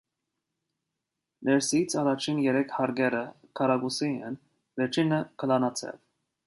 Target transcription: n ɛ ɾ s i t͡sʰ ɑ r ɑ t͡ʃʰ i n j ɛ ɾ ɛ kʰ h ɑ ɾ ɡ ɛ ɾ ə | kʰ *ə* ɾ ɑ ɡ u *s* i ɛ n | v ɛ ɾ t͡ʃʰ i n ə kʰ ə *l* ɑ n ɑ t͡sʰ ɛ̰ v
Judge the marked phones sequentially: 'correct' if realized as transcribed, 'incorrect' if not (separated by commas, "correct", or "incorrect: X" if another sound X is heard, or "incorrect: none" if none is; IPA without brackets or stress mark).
incorrect: ɑ, correct, correct